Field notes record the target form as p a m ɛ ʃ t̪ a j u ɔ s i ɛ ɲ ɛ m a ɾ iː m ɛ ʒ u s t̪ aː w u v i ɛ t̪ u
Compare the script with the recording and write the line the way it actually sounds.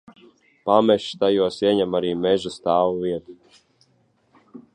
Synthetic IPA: p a m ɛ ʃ t̪ a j u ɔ s i ɛ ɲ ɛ m a ɾ iː m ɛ ʒ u s t̪ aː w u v i ɛ t̪ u